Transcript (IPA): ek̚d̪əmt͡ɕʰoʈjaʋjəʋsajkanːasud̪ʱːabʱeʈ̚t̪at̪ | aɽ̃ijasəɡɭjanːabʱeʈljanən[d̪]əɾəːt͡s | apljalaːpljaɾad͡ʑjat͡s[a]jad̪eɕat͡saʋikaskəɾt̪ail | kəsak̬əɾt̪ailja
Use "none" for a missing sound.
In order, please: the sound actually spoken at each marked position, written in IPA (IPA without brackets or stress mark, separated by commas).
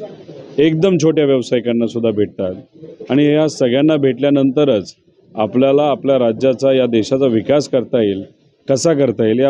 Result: t̪, a